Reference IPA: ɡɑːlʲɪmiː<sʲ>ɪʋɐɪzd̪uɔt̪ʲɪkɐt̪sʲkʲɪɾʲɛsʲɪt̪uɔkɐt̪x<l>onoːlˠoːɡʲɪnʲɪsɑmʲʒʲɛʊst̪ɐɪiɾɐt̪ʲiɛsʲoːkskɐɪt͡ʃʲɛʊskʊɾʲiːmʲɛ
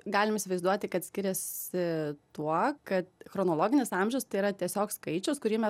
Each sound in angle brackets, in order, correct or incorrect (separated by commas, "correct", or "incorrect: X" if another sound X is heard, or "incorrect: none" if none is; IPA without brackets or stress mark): correct, incorrect: ɾ